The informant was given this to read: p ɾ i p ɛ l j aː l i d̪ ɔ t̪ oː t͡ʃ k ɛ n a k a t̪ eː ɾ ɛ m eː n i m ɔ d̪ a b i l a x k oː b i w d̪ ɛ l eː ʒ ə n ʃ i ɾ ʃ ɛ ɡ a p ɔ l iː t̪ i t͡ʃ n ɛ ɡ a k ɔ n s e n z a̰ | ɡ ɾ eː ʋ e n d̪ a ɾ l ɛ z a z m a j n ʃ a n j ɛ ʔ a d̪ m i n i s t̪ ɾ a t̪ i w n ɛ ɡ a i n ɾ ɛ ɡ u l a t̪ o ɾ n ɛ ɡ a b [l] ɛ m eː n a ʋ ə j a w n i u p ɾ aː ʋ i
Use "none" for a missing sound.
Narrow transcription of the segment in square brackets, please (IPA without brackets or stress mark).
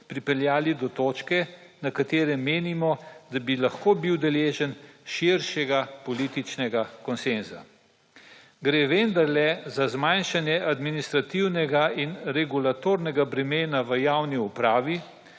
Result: ɾ